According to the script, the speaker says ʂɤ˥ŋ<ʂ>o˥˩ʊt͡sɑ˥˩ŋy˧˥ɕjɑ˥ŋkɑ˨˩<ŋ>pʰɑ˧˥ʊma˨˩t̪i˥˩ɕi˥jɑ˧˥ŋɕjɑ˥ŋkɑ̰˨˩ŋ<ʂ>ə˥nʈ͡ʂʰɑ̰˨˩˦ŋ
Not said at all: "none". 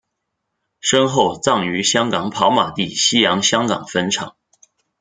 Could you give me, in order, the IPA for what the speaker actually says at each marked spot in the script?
x, ŋ, f

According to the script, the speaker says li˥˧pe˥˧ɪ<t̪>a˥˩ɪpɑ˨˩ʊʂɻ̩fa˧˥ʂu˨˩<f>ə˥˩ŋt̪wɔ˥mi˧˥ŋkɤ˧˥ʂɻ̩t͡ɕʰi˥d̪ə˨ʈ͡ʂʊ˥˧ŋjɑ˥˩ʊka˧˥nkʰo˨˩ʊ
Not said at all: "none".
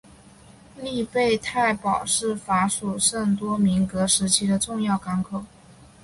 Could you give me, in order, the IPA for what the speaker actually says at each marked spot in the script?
t̪ʰ, ʂ

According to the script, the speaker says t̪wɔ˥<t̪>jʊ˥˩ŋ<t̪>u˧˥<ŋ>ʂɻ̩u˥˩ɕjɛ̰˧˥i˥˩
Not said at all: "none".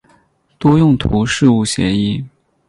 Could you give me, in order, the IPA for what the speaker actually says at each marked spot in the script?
none, t̪ʰ, none

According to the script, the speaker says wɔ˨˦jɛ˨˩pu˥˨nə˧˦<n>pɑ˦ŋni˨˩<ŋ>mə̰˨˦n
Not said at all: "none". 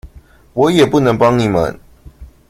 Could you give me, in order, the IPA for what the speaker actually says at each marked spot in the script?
ŋ, none

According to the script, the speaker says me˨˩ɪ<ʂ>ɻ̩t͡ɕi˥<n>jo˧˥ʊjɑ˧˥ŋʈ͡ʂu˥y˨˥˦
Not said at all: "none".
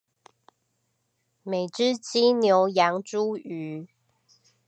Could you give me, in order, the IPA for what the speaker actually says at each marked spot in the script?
ʈ͡ʂ, n

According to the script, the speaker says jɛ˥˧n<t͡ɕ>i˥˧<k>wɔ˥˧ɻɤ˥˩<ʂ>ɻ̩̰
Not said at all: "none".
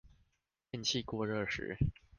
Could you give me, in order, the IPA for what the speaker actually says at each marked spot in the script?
t͡ɕʰ, k, ʂ

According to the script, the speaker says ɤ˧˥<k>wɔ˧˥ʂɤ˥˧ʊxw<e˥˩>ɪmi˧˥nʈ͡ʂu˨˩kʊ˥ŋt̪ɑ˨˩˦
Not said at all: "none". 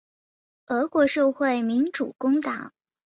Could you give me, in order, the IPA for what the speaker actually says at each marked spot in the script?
k, e˥˩

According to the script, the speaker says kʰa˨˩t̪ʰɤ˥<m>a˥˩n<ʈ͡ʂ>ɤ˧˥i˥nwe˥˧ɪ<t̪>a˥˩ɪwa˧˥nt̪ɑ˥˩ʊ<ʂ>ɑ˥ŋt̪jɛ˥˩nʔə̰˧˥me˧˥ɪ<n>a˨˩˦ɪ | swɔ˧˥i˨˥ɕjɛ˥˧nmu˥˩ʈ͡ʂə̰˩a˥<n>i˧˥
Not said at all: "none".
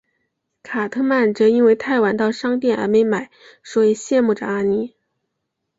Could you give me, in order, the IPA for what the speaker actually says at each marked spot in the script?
m, ʈ͡ʂ, t̪ʰ, ʂ, m, n

